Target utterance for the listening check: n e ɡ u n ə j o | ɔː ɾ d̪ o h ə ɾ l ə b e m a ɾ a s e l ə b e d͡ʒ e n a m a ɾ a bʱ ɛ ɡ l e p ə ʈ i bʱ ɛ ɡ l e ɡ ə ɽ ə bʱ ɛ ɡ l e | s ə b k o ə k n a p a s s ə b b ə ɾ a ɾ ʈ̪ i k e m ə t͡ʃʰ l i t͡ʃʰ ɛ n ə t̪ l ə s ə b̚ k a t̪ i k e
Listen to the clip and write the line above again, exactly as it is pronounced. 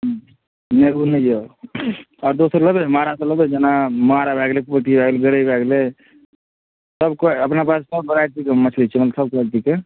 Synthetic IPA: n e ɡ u n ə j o | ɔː ɾ d̪ o s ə ɾ l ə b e m a ɾ a s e l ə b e d͡ʒ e n a m a ɾ a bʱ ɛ ɡ l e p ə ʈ i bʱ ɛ ɡ l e ɡ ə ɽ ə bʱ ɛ ɡ l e | s ə b k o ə p n a p a s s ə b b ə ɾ a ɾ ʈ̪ i k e m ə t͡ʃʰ l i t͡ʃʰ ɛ m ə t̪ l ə s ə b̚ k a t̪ i k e

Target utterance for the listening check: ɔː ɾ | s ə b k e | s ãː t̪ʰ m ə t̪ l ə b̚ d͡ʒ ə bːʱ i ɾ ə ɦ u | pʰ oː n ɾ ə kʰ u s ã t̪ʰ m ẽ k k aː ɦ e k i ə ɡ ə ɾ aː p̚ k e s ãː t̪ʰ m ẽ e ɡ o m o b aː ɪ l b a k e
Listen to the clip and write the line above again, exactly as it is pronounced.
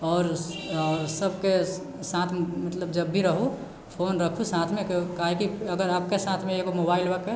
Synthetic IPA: ɔː ɾ | s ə b k e | s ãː t̪ʰ m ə t̪ l ə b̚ d͡ʒ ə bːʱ i ɾ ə ɦ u | pʰ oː n ɾ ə kʰ u s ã t̪ʰ m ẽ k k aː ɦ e k i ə ɡ ə ɾ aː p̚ k e s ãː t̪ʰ m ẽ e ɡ o m o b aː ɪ l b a k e

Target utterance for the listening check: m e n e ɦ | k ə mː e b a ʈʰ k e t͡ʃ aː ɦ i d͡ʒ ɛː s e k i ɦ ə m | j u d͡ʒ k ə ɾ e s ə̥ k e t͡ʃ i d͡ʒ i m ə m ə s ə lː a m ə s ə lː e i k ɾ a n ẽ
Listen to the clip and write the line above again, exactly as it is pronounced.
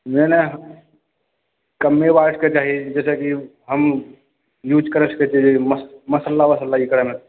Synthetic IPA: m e n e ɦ | k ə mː e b a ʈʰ k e t͡ʃ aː ɦ i d͡ʒ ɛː s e k i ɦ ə m | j u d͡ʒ k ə ɾ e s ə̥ k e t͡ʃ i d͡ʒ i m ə m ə s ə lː a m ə s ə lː a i k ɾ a m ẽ

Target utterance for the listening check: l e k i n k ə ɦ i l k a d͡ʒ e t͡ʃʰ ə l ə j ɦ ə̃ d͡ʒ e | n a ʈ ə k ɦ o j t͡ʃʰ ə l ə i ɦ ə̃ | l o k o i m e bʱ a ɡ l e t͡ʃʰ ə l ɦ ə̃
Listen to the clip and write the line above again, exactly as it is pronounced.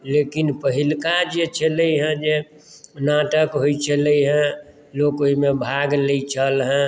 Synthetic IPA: l e k i n p ə ɦ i l k a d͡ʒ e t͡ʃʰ ə l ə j ɦ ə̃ d͡ʒ e | n a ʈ ə k ɦ o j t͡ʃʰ ə l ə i ɦ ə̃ | l o k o i m e bʱ a ɡ l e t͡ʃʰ ə l ɦ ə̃

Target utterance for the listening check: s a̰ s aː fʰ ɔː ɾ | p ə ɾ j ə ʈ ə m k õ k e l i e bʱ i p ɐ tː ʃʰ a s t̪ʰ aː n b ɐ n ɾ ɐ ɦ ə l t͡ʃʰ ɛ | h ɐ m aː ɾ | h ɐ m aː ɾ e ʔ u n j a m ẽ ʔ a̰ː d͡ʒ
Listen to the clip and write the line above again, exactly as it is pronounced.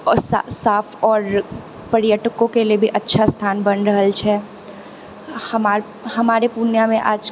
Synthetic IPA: s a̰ s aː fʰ ɔː ɾ | p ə ɾ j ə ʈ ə k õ k e l i e bʱ i ʔ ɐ tː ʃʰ a s t̪ʰ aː n b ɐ n ɾ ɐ ɦ ə l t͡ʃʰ ɛ | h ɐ m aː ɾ | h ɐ m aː ɾ e p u n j a m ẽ ʔ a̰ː d͡ʒ

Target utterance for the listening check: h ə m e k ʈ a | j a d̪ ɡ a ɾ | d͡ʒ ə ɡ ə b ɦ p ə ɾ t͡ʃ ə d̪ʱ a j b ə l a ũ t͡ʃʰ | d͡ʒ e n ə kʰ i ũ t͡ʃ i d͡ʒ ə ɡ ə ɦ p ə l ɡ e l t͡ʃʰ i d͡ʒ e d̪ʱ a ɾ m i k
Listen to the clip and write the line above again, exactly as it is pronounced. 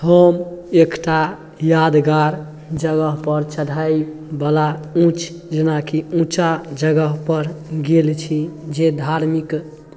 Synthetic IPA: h ə m e k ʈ a | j a d̪ ɡ a ɾ | d͡ʒ ə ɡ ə ɦ p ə ɾ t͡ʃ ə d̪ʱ a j b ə l a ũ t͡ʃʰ | d͡ʒ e n a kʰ i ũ t͡ʃ a d͡ʒ ə ɡ ə ɦ p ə ɾ ɡ e l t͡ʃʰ i d͡ʒ e d̪ʱ a ɾ m i k

